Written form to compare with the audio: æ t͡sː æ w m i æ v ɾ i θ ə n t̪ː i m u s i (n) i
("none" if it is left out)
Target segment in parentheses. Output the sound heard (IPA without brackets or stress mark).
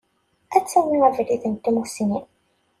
n